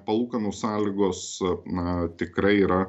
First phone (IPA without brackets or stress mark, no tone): p